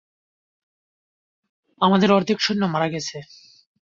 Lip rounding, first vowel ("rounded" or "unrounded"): unrounded